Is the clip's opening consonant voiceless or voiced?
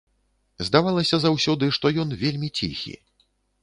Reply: voiced